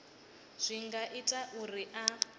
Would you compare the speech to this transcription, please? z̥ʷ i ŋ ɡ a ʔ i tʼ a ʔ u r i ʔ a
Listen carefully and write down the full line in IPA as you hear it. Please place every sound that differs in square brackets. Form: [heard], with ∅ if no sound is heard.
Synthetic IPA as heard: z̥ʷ i ŋ ɡ a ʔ i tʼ a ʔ u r i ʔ a

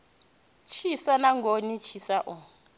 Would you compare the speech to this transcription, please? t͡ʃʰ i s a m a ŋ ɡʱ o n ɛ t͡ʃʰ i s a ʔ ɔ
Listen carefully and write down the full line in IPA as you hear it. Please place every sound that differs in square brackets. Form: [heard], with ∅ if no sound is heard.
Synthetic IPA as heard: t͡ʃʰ i s a [n] a ŋ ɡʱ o n [i] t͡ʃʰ i s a ʔ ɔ

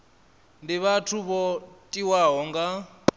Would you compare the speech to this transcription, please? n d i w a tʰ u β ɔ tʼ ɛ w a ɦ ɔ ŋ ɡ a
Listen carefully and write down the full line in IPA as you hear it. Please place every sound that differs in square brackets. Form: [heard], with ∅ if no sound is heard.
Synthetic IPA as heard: n d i [β] a tʰ u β ɔ tʼ [i] w a ɦ ɔ ŋ ɡ a

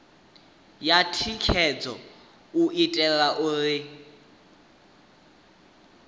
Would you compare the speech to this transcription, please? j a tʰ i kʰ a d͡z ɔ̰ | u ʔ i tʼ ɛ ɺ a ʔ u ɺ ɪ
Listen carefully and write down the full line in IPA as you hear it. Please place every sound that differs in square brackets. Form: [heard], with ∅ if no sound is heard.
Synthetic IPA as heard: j a tʰ i kʰ [ɛ] d͡z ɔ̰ | u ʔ i tʼ ɛ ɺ a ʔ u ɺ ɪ

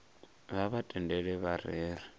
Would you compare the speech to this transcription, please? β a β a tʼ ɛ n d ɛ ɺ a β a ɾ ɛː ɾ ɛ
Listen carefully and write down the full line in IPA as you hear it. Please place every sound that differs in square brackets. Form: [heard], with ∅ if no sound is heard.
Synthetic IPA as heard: β a β a tʼ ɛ n d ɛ ɺ [ɛ] β a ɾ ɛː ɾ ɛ

